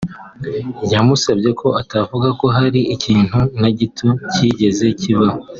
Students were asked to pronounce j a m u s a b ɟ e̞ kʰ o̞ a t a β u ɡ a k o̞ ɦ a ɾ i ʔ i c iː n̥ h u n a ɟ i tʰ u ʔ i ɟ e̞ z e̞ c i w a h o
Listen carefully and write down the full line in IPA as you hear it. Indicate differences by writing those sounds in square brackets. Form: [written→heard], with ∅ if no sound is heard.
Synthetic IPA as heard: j a m u s a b ɟ e̞ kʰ o̞ a t a [β→v] u ɡ a k o̞ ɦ a ɾ i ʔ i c iː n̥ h u n a ɟ i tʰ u [ʔ→c] i ɟ e̞ z e̞ c i [w→β] a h o